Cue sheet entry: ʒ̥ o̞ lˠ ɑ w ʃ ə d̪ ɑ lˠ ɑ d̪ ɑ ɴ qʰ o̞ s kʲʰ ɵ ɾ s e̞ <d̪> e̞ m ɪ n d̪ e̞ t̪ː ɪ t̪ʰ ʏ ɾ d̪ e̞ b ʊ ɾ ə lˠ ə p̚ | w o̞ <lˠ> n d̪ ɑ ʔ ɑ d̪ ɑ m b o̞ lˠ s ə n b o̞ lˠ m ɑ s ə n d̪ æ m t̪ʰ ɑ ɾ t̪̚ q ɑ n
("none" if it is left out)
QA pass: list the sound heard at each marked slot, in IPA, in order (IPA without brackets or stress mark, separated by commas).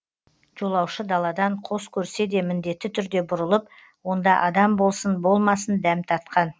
d̪, none